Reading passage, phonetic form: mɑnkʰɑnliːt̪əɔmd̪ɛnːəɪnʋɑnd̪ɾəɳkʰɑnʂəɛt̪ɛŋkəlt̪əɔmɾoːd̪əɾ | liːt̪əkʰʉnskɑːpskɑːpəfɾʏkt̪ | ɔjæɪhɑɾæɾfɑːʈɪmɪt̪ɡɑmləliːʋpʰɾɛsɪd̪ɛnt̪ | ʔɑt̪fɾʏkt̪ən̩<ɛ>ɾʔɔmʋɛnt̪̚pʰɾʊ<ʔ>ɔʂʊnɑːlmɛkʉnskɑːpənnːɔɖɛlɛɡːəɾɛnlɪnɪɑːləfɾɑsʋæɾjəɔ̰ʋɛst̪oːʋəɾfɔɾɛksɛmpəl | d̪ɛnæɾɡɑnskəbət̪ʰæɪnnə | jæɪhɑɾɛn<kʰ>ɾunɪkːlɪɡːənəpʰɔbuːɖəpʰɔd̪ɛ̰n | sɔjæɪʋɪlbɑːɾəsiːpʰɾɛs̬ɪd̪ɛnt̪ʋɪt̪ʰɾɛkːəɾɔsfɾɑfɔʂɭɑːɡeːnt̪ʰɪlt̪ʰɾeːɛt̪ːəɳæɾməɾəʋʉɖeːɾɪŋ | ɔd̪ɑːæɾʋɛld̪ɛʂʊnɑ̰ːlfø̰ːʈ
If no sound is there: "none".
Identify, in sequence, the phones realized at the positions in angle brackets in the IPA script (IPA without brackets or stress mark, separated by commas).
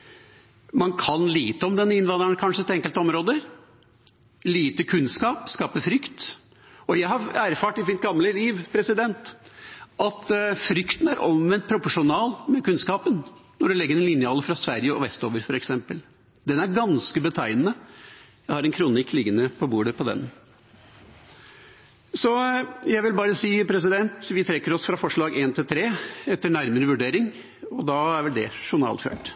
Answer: æ, p, kʰ